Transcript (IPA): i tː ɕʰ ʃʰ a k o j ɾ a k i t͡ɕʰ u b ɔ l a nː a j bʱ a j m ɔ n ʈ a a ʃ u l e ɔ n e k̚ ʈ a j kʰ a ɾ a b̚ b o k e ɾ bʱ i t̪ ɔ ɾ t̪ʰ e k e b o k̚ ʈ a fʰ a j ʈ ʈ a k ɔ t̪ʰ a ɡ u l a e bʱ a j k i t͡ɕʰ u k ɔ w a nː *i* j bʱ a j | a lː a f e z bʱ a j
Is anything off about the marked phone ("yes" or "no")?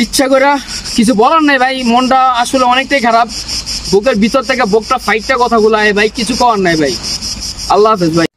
yes